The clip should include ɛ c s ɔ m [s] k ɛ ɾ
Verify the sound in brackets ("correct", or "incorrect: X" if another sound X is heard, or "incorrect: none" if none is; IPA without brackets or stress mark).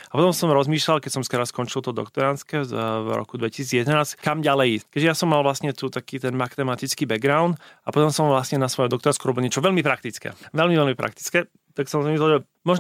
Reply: correct